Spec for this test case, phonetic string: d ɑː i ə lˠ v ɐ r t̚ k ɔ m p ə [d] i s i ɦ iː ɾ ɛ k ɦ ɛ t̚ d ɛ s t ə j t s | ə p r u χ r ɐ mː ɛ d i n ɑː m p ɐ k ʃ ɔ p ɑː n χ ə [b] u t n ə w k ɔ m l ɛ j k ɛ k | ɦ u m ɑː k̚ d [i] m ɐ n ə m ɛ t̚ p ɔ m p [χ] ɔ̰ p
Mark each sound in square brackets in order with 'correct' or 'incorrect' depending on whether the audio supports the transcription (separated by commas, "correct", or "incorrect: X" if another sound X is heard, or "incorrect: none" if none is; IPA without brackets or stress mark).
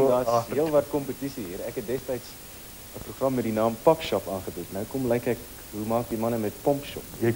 incorrect: t, correct, correct, incorrect: ʃ